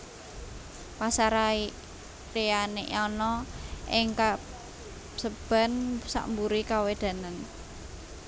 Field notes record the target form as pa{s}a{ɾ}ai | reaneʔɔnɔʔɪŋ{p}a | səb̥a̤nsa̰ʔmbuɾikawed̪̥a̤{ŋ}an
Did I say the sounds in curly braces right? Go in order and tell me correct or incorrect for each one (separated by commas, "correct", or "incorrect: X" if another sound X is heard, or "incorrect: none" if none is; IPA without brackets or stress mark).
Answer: correct, correct, incorrect: k, incorrect: n